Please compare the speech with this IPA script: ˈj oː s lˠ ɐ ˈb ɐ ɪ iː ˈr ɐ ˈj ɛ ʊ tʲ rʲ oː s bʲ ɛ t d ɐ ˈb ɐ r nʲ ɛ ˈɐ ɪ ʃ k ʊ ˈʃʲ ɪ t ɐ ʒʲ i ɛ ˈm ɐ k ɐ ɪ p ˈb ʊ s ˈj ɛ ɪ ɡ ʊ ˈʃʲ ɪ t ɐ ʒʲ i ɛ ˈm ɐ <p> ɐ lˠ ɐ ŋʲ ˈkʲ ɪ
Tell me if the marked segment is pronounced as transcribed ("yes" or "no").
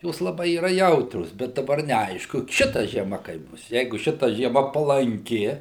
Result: yes